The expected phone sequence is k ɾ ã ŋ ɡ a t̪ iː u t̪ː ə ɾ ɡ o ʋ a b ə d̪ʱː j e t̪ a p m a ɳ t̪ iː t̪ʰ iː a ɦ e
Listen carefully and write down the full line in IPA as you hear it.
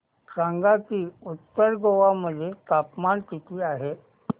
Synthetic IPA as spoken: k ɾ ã ŋ ɡ a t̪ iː u t̪ː ə ɾ ɡ o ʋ a m ə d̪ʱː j e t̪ a p m a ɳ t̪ i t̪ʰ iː a ɦ e